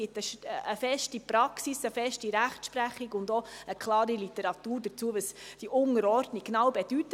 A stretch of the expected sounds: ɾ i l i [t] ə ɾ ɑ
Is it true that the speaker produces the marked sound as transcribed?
yes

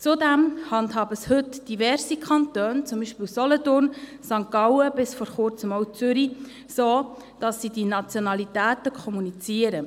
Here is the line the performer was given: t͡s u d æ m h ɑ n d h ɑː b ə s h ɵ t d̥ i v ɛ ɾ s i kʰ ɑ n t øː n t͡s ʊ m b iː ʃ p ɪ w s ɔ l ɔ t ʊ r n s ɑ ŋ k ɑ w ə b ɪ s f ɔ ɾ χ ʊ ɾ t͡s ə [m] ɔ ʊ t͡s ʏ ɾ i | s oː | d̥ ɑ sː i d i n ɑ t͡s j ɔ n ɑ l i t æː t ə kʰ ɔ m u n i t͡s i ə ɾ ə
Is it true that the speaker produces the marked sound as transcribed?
yes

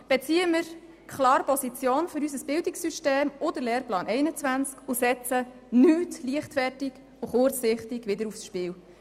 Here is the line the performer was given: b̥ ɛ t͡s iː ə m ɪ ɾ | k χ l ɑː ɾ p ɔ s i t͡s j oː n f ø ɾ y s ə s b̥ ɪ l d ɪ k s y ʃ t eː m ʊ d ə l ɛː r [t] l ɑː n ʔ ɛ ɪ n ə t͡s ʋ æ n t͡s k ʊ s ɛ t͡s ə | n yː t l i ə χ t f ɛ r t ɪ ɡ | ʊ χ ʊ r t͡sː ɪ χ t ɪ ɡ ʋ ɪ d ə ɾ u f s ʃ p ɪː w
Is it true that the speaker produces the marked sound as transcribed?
no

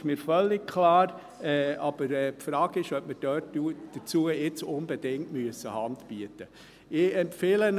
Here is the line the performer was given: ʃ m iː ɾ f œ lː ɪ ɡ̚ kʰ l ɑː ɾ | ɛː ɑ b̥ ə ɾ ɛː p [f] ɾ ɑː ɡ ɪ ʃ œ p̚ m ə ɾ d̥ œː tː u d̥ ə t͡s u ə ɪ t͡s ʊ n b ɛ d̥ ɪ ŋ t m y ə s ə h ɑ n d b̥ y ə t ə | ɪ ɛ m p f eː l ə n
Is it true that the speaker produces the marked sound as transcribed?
yes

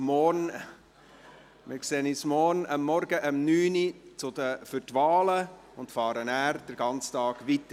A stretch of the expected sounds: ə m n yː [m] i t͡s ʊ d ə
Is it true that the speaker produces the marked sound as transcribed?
no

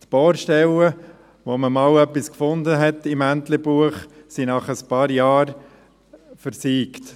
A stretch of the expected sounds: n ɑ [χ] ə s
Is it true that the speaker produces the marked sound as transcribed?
yes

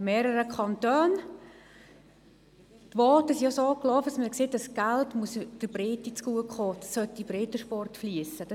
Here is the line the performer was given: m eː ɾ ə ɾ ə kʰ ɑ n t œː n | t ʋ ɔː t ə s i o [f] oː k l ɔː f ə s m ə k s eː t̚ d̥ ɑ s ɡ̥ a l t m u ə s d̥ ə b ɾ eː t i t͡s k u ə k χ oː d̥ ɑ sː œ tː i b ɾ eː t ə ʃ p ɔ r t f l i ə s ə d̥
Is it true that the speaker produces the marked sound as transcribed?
no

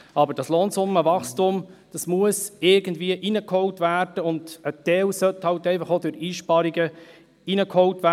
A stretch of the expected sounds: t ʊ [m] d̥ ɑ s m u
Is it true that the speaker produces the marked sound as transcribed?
yes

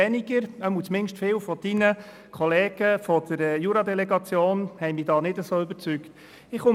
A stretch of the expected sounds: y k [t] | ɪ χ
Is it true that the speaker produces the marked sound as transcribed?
yes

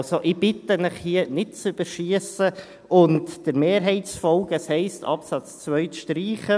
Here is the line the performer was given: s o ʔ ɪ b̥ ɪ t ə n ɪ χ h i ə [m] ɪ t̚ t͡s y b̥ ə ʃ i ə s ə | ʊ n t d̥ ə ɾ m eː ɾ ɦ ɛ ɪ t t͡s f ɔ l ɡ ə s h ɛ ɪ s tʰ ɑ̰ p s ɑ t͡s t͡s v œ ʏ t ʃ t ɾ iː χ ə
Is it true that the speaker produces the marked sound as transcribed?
no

